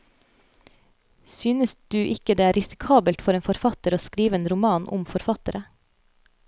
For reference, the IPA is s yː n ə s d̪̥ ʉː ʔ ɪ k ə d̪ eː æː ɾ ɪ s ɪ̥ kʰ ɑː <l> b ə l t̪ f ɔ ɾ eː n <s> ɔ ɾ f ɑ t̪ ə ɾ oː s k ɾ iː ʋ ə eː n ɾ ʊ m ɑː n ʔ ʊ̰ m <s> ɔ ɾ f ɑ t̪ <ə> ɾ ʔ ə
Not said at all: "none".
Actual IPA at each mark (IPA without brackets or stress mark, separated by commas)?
none, f, f, ə